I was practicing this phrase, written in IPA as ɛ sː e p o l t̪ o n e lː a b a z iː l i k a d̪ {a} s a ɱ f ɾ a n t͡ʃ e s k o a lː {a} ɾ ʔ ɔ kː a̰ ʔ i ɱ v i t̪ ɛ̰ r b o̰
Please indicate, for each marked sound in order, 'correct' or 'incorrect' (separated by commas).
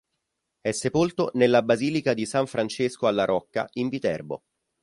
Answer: incorrect, correct